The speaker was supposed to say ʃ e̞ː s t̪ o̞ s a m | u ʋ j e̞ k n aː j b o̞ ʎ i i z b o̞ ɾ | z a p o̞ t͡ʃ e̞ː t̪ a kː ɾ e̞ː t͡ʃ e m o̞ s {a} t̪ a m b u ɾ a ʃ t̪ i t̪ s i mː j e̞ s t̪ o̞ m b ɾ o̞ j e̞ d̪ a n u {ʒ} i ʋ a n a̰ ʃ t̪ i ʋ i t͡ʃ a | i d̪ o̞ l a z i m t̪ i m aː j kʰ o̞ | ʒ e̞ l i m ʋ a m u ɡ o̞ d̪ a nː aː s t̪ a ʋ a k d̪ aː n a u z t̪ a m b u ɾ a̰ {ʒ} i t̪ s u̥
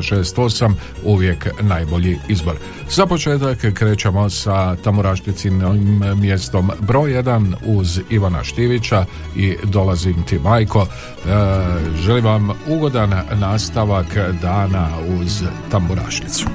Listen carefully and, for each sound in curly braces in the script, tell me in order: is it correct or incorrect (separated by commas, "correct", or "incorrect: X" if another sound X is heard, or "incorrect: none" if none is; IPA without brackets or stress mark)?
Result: correct, incorrect: z, incorrect: ʃ